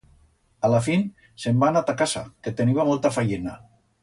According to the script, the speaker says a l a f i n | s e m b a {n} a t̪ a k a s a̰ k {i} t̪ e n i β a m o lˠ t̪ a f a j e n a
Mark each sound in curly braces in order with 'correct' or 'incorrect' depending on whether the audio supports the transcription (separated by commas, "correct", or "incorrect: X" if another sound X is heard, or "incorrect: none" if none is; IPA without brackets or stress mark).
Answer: correct, incorrect: e